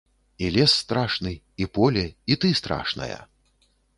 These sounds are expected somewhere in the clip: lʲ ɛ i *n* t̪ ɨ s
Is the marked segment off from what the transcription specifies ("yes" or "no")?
yes